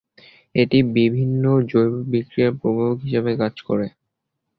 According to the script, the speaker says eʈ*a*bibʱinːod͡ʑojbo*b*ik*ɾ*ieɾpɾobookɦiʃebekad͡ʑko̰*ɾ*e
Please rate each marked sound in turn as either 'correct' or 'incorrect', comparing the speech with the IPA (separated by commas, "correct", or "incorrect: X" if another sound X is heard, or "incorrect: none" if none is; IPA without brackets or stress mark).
incorrect: i, correct, correct, correct